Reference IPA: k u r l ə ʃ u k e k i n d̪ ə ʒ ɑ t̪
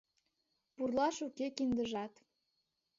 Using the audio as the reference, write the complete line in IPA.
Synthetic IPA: p u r l ɑ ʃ u k e k i n d̪ ə ʒ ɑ t̪